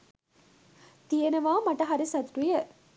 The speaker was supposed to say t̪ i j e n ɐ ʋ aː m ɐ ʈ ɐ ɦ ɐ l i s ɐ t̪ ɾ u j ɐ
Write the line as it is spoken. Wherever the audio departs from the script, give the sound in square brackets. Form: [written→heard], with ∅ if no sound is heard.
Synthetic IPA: t̪ i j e n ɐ ʋ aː m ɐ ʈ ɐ ɦ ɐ [l→ɾ] i s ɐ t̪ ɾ u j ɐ